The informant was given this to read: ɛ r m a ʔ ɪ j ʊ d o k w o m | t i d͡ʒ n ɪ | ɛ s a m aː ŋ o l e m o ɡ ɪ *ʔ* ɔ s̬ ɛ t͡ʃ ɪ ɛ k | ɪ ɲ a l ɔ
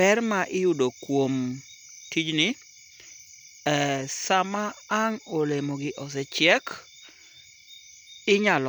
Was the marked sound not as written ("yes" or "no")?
no